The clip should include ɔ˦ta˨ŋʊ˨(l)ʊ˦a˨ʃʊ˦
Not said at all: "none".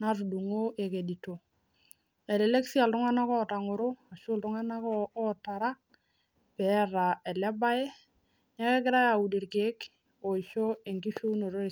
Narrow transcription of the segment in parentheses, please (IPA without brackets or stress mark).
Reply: ɾ